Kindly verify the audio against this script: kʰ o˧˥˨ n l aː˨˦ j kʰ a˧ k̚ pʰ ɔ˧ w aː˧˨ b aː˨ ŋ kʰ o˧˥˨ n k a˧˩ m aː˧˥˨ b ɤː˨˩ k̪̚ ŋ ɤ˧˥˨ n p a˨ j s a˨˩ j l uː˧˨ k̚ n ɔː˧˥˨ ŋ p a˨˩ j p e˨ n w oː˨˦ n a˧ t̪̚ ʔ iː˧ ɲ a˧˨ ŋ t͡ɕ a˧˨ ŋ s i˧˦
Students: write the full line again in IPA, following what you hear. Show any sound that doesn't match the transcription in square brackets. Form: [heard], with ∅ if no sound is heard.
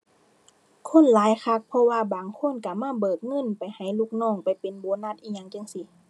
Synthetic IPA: kʰ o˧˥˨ n l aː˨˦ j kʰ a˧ k̚ pʰ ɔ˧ w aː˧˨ b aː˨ ŋ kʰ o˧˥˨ n k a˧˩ m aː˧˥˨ b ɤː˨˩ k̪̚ ŋ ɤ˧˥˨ n p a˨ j [h] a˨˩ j l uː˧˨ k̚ n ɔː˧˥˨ ŋ p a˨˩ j p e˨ n [b] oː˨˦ n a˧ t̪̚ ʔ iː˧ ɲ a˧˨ ŋ t͡ɕ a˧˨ ŋ s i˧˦